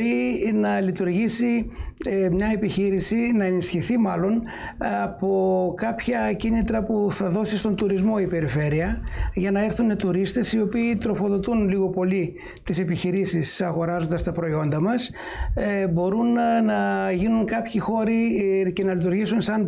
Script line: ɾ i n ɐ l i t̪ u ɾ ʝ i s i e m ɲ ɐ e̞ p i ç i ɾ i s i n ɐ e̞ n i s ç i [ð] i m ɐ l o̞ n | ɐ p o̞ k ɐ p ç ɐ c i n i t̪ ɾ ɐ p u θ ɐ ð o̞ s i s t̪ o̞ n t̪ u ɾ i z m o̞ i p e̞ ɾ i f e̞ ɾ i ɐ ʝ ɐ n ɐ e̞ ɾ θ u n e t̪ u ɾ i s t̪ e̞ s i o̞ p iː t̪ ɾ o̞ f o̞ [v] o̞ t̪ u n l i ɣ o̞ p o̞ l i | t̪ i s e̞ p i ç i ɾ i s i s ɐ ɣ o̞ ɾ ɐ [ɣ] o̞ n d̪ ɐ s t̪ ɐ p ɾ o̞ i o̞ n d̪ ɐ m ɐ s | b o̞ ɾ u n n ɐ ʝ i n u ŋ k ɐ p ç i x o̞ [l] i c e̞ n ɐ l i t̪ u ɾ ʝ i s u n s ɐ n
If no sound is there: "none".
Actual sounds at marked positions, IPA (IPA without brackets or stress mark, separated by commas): θ, ð, z, ɾ